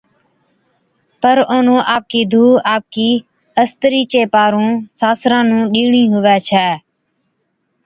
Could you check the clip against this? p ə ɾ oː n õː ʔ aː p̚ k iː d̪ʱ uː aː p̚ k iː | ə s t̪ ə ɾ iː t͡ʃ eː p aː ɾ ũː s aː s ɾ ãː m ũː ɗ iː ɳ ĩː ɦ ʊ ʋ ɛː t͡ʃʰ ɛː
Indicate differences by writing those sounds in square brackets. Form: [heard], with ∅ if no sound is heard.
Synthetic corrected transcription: p ə ɾ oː n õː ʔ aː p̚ k iː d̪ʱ uː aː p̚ k iː | ə s t̪ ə ɾ iː t͡ʃ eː p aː ɾ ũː s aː s ɾ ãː [n] ũː ɗ iː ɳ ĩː ɦ ʊ ʋ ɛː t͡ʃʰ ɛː